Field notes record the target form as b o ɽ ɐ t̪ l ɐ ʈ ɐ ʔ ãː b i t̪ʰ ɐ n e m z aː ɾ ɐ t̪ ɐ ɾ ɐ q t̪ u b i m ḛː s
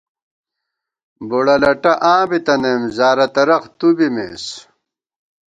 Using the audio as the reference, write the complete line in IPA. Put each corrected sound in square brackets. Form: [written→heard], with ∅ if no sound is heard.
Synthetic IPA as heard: b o ɽ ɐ [t̪→∅] l ɐ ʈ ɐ ʔ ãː b i [t̪ʰ→t̪] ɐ n e m z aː ɾ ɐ t̪ ɐ ɾ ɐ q t̪ u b i m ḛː s